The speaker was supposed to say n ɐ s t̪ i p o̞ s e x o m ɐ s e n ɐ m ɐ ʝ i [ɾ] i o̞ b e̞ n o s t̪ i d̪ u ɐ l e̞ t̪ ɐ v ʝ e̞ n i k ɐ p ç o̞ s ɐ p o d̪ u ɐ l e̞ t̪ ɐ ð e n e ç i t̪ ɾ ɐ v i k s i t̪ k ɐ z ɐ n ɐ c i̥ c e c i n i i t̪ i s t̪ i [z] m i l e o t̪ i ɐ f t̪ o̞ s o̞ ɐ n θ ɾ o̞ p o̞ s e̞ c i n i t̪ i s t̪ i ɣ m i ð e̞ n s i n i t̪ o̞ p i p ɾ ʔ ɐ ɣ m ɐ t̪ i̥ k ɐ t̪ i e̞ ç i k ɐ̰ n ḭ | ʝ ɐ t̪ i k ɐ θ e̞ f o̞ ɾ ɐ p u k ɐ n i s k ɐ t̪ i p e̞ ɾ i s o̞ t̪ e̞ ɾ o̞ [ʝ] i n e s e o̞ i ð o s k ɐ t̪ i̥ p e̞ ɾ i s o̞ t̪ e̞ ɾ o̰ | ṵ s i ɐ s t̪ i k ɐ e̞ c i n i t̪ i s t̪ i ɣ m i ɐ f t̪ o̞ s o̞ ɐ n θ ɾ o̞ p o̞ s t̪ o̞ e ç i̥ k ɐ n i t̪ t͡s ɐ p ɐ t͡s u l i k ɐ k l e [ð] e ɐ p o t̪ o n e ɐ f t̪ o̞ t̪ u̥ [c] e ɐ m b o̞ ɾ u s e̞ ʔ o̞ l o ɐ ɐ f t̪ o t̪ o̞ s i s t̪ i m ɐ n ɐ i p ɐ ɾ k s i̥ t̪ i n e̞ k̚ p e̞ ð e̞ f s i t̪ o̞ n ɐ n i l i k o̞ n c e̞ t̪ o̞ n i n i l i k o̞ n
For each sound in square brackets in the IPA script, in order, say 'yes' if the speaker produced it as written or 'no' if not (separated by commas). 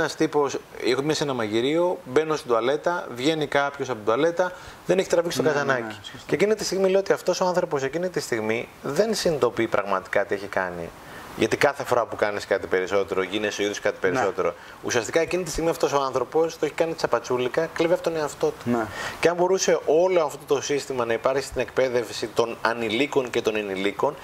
yes, no, yes, no, yes